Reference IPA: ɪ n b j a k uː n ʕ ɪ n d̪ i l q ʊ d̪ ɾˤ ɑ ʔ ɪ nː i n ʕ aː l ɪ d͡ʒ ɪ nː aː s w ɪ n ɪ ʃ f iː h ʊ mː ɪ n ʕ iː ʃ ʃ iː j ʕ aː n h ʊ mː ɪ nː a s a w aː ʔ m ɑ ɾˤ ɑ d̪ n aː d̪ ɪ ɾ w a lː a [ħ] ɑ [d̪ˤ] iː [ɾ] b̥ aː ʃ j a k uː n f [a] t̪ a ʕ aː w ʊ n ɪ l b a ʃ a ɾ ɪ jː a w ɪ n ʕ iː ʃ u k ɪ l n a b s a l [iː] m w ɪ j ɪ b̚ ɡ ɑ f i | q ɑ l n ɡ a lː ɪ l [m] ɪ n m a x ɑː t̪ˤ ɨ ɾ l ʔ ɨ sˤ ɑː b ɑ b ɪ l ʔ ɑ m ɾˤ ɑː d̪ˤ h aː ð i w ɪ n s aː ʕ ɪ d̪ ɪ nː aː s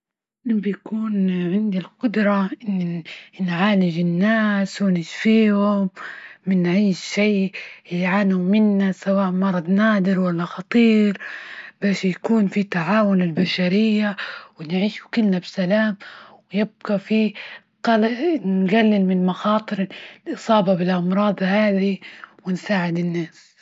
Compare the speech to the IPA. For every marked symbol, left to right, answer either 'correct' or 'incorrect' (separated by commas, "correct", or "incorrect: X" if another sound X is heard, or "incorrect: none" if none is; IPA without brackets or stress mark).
incorrect: x, incorrect: t̪ˤ, correct, incorrect: i, incorrect: aː, correct